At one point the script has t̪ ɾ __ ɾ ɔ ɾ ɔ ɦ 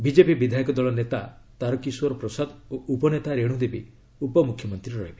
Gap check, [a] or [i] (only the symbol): i